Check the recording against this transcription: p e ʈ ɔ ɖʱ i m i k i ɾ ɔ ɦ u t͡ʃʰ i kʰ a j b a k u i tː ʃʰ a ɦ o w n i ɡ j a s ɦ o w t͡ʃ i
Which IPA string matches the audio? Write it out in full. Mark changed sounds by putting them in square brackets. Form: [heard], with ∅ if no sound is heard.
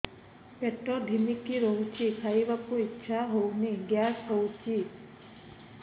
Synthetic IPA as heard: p e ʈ ɔ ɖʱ i m i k i ɾ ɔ ɦ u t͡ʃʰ i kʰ a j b a k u i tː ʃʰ a ɦ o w n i ɡ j a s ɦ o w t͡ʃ i